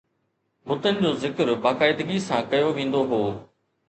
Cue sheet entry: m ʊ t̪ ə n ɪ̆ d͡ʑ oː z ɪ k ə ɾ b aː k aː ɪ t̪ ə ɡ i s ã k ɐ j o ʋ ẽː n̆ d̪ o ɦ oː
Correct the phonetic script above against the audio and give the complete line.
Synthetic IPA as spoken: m ʊ t̪ ə n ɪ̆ d͡ʑ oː z ɪ k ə ɾ b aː k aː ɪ d̪ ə ɡ i s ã k ɐ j o ʋ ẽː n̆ d̪ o ɦ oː